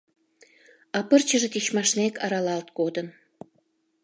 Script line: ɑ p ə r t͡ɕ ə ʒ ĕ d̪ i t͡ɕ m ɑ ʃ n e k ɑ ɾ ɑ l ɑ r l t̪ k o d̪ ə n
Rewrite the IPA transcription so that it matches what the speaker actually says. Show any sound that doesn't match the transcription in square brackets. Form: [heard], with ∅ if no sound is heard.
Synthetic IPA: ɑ p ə r t͡ɕ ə ʒ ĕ [t̪] i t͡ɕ m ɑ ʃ n e k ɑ ɾ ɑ l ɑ [∅] l t̪ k o d̪ ə n